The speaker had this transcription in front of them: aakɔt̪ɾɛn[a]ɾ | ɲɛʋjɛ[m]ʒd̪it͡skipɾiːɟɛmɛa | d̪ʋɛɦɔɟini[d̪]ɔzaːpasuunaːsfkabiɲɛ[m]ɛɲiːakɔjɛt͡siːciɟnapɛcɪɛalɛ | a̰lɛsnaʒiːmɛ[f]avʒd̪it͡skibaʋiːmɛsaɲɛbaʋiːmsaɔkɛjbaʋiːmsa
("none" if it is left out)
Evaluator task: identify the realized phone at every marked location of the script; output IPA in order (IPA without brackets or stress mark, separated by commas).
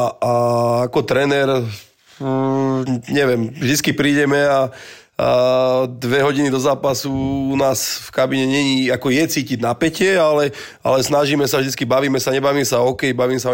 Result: ɛ, m, d̪, ɲ, s